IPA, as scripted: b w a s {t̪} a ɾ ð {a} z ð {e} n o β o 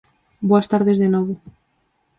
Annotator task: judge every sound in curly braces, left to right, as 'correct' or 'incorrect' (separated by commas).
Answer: correct, incorrect, correct